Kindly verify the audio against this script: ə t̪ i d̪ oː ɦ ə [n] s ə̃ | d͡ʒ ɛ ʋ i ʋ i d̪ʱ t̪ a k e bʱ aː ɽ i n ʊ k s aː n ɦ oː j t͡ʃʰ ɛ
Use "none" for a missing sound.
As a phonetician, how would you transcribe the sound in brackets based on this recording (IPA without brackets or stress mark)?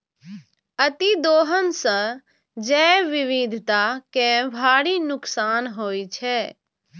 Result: n